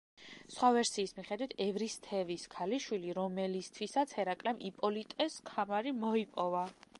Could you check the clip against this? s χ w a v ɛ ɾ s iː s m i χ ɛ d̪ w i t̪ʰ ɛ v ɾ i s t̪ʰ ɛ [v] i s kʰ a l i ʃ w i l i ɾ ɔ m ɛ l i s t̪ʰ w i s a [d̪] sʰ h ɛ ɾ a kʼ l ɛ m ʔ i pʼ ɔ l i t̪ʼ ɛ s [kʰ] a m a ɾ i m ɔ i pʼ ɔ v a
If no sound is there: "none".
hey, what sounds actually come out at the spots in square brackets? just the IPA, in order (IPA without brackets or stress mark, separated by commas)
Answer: v, t̪, kʰ